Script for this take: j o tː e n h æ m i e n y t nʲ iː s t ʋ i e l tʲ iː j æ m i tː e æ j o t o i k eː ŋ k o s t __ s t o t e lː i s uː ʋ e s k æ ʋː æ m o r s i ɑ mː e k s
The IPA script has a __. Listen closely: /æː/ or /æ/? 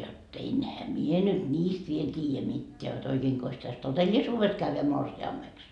æ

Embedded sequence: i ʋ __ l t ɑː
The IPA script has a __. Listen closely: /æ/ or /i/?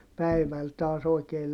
æ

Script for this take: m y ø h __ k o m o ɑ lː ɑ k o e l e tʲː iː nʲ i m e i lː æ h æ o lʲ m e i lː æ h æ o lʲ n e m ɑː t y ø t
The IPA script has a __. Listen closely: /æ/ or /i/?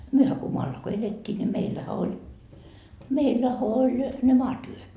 æ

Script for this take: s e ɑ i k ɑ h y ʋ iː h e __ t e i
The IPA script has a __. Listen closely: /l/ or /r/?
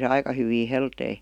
l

